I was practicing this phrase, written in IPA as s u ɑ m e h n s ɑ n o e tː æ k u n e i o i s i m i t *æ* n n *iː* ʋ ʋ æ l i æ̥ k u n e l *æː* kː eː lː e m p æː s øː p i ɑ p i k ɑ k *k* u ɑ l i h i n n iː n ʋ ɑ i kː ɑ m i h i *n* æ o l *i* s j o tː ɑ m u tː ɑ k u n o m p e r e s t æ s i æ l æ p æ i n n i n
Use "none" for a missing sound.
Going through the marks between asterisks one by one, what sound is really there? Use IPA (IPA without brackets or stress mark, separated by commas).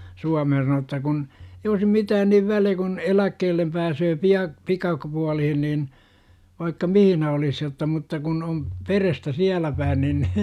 æː, i, æ, p, n, i